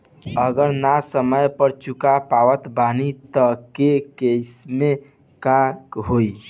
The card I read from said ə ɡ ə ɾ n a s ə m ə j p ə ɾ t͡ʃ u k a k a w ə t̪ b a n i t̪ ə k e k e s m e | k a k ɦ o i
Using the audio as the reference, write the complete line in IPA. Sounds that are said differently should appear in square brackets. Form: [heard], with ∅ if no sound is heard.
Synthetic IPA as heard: ə ɡ ə ɾ n a s ə m ə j p ə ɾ t͡ʃ u k a [p] a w ə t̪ b a n i t̪ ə k e k e s m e | k a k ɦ o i